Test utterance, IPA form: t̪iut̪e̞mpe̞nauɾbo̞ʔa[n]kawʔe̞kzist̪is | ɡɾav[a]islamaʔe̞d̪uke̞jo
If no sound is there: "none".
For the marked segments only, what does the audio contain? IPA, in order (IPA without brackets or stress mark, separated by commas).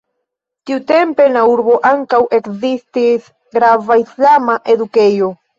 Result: ŋ, a